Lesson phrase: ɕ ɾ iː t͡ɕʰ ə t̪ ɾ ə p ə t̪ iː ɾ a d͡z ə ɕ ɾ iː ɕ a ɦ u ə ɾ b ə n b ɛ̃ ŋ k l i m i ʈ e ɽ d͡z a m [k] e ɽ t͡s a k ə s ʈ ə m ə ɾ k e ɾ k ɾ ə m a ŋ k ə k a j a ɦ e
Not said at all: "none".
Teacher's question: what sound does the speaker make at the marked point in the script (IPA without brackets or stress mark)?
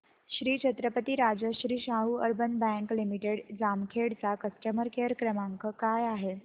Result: kʰ